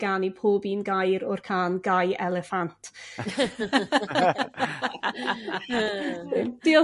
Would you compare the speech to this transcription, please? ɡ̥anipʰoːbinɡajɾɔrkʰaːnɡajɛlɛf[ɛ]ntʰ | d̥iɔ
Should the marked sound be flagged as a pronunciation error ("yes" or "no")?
yes